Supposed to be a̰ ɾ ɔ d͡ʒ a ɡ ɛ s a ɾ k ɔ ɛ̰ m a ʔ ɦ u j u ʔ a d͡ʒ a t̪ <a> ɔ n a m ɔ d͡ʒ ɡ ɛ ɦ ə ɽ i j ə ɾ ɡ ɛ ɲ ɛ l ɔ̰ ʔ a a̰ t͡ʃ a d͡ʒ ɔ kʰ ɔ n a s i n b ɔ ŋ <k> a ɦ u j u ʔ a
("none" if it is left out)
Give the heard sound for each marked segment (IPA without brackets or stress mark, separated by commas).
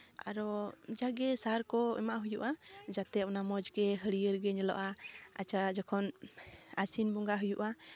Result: ɛ, ɡ